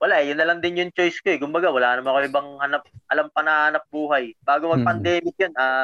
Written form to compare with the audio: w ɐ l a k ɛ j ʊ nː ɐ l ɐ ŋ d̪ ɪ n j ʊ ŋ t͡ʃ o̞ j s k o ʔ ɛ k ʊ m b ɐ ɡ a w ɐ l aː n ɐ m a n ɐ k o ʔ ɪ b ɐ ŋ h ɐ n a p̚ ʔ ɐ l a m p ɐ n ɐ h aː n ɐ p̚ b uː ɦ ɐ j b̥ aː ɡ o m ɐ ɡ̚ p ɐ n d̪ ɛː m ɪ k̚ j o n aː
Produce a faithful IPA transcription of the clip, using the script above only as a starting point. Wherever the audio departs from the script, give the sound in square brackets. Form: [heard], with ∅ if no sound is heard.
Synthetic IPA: w ɐ l a [ʔ] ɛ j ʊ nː ɐ l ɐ ŋ d̪ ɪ n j ʊ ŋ t͡ʃ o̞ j s k o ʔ ɛ k ʊ m b ɐ ɡ a w ɐ l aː n ɐ m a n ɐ k o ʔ ɪ b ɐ ŋ h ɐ n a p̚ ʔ ɐ l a m p ɐ n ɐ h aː n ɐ p̚ b uː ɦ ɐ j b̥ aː ɡ o m ɐ ɡ̚ p ɐ n d̪ ɛː m ɪ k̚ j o n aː